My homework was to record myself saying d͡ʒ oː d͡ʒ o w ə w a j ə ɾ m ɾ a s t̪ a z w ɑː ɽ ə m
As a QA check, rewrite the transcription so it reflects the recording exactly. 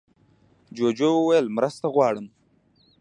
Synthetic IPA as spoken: d͡ʒ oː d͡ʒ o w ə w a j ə l m ɾ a s t̪ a ɣ w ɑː ɽ ə m

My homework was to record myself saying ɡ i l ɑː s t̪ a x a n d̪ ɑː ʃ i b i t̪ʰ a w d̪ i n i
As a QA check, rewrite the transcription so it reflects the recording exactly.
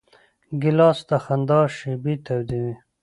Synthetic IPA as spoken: ɡ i l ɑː s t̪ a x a n d̪ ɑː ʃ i b i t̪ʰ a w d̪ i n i

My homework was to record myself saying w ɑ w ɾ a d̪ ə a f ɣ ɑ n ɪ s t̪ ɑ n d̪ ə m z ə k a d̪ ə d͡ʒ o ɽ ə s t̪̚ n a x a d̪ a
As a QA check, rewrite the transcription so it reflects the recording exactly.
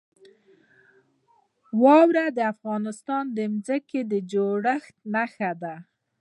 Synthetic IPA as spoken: w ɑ w ɾ a d̪ ə a f ɣ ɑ n ɪ s t̪ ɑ n d̪ ə m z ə k e d̪ ə d͡ʒ o ɽ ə x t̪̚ n a x a d̪ a

